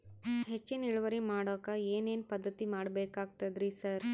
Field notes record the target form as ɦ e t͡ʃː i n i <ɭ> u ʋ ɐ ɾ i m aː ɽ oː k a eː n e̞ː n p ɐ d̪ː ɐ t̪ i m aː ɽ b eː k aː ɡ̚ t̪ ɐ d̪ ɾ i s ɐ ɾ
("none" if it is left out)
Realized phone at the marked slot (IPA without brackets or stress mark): ɭ